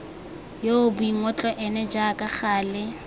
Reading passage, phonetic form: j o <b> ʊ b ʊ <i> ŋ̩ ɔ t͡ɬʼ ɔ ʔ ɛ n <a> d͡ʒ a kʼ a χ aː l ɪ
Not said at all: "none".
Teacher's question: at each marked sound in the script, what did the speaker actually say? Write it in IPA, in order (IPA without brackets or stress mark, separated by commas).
none, i, ɛ